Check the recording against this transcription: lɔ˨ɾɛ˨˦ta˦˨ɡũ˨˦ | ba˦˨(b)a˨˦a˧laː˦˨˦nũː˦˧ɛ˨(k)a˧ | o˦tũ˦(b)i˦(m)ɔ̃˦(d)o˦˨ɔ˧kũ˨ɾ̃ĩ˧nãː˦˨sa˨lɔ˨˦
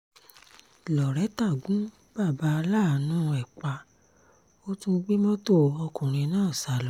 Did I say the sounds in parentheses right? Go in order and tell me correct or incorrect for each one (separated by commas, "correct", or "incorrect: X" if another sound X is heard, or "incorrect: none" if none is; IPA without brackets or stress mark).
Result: correct, incorrect: k͡p, incorrect: ɡ͡b, correct, incorrect: t